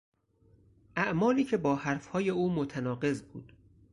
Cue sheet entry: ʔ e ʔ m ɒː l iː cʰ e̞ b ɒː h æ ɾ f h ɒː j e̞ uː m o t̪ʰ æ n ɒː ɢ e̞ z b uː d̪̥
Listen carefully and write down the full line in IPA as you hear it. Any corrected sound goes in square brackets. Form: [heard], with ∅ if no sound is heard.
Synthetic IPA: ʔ [æ] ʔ m ɒː l iː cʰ e̞ b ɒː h æ ɾ f h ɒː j e̞ uː m o t̪ʰ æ n ɒː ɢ e̞ z b uː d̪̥